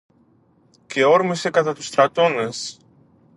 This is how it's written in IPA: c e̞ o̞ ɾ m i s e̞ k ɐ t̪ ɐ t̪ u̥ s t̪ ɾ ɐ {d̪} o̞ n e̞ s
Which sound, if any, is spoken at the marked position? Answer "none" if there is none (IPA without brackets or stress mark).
t̪